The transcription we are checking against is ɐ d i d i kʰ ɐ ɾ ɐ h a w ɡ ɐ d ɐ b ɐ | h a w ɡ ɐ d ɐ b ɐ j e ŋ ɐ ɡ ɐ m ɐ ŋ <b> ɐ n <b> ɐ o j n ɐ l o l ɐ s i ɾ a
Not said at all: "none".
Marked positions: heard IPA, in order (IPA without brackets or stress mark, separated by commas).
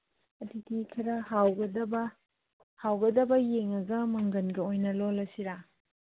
ɡ, ɡ